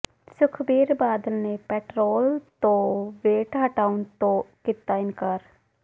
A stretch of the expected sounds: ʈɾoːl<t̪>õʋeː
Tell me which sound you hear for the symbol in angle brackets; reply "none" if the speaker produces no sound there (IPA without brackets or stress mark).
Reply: t̪